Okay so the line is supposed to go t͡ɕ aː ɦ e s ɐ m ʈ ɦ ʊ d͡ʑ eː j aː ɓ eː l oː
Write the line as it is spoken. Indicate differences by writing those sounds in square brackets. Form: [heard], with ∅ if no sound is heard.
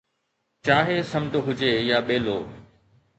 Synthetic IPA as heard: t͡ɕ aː ɦ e s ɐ m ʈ ɦ ʊ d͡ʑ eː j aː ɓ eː l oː